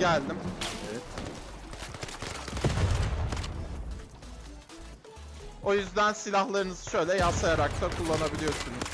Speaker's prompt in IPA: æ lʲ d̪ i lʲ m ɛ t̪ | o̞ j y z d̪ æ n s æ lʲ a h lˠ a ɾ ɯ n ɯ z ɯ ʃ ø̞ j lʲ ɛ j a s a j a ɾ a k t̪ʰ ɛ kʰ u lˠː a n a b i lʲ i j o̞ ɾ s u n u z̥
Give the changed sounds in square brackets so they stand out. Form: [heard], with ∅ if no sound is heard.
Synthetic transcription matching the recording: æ lʲ d̪ i [∅] m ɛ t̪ | o̞ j y z d̪ æ n s [i] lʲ a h lˠ a ɾ ɯ n ɯ z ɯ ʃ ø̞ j lʲ ɛ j a s a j a ɾ a k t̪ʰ [a] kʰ u lˠː a n a b i lʲ i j o̞ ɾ s u n u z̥